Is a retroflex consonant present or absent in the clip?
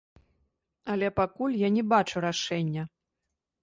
present